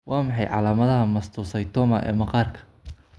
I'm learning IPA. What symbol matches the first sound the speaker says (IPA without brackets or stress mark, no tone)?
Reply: w